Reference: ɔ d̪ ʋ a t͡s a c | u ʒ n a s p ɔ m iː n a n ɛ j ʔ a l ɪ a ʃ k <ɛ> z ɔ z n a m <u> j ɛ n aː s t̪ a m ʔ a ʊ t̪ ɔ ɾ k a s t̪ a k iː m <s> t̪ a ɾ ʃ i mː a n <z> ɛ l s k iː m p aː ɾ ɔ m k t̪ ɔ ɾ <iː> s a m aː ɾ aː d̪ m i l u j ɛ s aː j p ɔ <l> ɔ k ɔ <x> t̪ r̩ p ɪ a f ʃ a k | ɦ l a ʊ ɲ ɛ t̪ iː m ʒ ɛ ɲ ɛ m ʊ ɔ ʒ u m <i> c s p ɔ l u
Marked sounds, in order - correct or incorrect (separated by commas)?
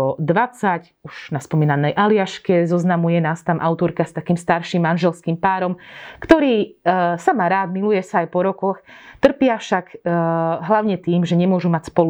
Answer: correct, correct, correct, incorrect, correct, incorrect, correct, incorrect